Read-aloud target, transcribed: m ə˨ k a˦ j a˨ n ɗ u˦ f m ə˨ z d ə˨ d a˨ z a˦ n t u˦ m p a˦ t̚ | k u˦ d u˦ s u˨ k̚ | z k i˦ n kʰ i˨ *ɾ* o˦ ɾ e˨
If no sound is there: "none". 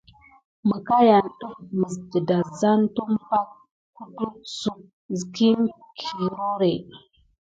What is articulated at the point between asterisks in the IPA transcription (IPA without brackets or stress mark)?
ɾ